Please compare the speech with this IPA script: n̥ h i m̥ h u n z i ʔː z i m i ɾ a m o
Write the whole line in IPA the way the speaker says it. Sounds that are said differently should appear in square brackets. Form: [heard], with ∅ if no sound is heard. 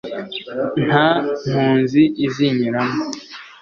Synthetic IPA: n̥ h [a] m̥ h [uː] n z i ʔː z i [ɲ] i ɾ a m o